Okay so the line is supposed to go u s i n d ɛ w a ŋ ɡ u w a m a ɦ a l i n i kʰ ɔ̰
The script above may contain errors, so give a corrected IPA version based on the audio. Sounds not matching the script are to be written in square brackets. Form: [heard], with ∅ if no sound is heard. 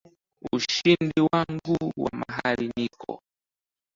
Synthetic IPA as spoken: u [ʃ] i n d [i] w a ŋ ɡ u w a m a ɦ a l i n i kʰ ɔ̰